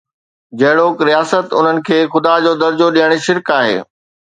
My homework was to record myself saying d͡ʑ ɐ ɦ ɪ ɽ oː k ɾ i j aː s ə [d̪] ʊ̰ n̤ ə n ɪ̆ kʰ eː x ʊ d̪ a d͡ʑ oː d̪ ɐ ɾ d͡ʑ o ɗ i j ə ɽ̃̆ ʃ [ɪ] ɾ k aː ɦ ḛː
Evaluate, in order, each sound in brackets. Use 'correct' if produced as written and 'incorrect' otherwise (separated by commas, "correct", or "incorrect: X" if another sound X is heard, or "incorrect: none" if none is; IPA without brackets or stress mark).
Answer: incorrect: t̪, correct